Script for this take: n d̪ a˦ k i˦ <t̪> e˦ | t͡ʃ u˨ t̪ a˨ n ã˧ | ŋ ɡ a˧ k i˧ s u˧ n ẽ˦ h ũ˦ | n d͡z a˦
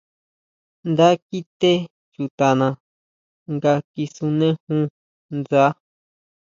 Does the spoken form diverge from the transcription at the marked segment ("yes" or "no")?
no